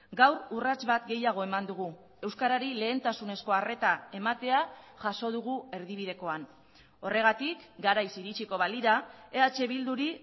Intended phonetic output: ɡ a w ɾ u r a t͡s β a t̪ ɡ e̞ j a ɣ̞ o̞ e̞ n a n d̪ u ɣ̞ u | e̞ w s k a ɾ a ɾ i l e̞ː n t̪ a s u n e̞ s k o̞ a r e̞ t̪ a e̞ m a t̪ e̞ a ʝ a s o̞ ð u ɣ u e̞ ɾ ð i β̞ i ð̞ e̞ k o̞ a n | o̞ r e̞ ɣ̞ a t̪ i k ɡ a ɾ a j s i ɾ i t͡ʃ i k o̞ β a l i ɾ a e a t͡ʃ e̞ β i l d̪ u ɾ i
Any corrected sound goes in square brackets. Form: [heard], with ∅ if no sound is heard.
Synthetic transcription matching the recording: ɡ a w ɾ u r a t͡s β a t̪ ɡ e̞ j a ɣ̞ o̞ e̞ [m] a n d̪ u ɣ̞ u | e̞ w s k a ɾ a ɾ i l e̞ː n t̪ a s u n e̞ s k o̞ a r e̞ t̪ a e̞ m a t̪ e̞ a ʝ a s o̞ ð u ɣ u e̞ ɾ ð i β̞ i ð̞ e̞ k o̞ a n | o̞ r e̞ ɣ̞ a t̪ i k ɡ a ɾ a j s i ɾ i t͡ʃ i k o̞ β a l i ɾ a e a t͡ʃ e̞ β i l d̪ u ɾ i

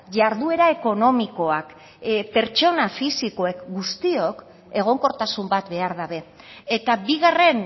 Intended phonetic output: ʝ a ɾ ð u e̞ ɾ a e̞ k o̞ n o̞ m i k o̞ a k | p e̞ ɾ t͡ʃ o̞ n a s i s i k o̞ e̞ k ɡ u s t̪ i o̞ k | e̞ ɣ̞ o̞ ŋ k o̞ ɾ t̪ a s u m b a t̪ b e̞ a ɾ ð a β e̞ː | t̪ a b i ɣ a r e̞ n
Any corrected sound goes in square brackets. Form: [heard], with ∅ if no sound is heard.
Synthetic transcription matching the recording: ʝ a ɾ ð u e̞ ɾ a e̞ k o̞ n o̞ m i k o̞ a k | p e̞ ɾ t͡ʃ o̞ n a [f] i s i k o̞ e̞ k ɡ u s t̪ i o̞ k | e̞ ɣ̞ o̞ ŋ k o̞ ɾ t̪ a s u m b a t̪ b e̞ a ɾ ð a β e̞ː | t̪ a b i ɣ a r e̞ n

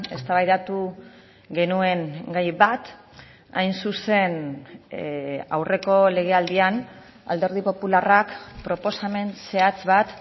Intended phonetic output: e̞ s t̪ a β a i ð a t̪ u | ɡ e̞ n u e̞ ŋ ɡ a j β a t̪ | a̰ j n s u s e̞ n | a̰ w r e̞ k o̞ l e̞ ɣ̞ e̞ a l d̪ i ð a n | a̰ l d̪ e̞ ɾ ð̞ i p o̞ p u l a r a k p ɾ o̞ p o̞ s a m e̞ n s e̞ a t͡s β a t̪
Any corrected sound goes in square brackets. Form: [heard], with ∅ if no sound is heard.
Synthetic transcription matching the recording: e̞ s t̪ a β a [j] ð a t̪ u | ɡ e̞ n u e̞ ŋ ɡ a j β a t̪ | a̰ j n s u s e̞ n | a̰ w r e̞ k o̞ l e̞ ɣ̞ e̞ a l d̪ i [∅] a n | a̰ l d̪ e̞ ɾ ð̞ i p o̞ p u l a r a k p ɾ o̞ p o̞ s a m e̞ n s e̞ a t͡s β a t̪

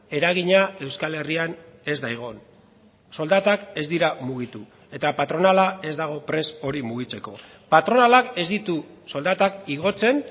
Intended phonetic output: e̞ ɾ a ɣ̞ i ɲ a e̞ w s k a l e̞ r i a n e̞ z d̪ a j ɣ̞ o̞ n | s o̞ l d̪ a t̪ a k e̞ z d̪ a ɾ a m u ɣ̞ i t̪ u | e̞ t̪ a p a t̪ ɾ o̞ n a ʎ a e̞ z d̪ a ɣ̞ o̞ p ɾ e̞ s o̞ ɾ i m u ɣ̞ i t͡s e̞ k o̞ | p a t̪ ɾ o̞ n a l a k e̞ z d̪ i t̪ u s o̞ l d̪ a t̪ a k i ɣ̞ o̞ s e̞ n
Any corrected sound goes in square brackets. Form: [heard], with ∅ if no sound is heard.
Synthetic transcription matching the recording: e̞ ɾ a ɣ̞ i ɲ a e̞ w s k a l e̞ r i a n e̞ z d̪ a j ɣ̞ o̞ n | s o̞ l d̪ a t̪ a k e̞ z d̪ [i] ɾ a m u ɣ̞ i t̪ u | e̞ t̪ a p a t̪ ɾ o̞ n a [l] a e̞ z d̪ a ɣ̞ o̞ p ɾ e̞ s o̞ ɾ i m u ɣ̞ i t͡s e̞ k o̞ | p a t̪ ɾ o̞ n a l a k e̞ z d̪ i t̪ u s o̞ l d̪ a t̪ a k i ɣ̞ o̞ [t͡s] e̞ n

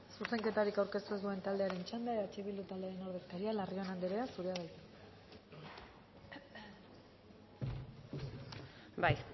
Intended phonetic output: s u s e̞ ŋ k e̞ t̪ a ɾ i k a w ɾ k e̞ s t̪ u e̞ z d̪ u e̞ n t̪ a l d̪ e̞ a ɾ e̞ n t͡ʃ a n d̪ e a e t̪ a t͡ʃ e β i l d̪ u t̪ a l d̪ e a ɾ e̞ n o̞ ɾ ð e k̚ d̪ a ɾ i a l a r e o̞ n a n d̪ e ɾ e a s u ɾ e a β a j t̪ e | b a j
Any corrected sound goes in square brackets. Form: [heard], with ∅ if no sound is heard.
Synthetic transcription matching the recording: s u s e̞ ŋ k e̞ t̪ a ɾ i k a w ɾ k e̞ s t̪ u e̞ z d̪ u e̞ n t̪ a l d̪ e̞ a ɾ e̞ n t͡ʃ a n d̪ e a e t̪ a t͡ʃ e β i l d̪ u t̪ a l d̪ e a ɾ e̞ n o̞ ɾ ð e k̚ [t̪] a ɾ i a l a r [i] o̞ n a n d̪ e ɾ e a s u ɾ e a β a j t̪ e | b a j

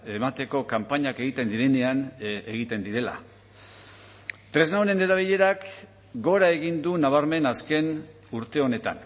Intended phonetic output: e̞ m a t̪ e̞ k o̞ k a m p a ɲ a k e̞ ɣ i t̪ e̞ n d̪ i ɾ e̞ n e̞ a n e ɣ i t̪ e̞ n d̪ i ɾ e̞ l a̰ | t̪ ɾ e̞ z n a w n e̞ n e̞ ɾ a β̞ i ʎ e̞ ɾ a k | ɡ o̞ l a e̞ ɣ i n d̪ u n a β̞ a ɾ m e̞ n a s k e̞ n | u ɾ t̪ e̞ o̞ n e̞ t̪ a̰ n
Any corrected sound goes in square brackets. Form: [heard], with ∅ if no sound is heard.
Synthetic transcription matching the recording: e̞ m a t̪ e̞ k o̞ k a m p a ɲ a k e̞ ɣ i t̪ e̞ n d̪ i ɾ e̞ n e̞ a n e ɣ i t̪ e̞ n d̪ i ɾ e̞ l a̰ | t̪ ɾ e̞ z n a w n e̞ n e̞ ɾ a β̞ i ʎ e̞ ɾ a k | ɡ o̞ [ɾ] a e̞ ɣ i n d̪ u n a β̞ a ɾ m e̞ n a s k e̞ n | u ɾ t̪ e̞ o̞ n e̞ t̪ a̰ n

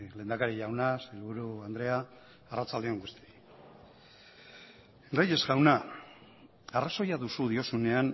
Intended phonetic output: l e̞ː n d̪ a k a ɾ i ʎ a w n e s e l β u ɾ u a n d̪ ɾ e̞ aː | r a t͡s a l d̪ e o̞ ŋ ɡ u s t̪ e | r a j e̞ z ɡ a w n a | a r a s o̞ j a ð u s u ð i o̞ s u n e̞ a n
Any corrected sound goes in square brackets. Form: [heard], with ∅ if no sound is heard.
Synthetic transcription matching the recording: l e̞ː n d̪ a k a ɾ i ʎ a w n [a] s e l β u ɾ u a n d̪ ɾ e̞ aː | r a t͡s a l d̪ e o̞ ŋ ɡ u s t̪ [i] | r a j e̞ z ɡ a w n a | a r a s o̞ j a ð u s u ð i o̞ s u n e̞ a n

